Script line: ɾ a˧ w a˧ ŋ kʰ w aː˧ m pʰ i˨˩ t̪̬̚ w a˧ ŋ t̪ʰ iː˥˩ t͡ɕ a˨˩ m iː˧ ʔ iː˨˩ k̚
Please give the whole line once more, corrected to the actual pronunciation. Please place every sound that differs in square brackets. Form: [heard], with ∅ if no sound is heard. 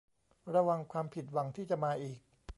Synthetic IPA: ɾ a˧ w a˧ ŋ kʰ w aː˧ m pʰ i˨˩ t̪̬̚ w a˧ ŋ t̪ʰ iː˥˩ t͡ɕ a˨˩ m [aː˧] ʔ iː˨˩ k̚